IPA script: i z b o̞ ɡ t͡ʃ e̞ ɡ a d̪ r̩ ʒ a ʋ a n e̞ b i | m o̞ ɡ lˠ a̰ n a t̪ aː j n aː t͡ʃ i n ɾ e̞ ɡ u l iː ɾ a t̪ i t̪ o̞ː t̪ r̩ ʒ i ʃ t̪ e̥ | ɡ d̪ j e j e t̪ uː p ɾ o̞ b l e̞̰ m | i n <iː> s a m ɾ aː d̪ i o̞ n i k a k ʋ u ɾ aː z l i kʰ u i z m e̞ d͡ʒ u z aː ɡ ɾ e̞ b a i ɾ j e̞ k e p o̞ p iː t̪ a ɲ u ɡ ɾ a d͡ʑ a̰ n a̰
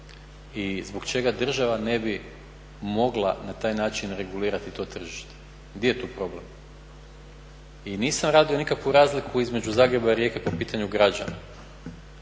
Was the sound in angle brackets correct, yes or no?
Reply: yes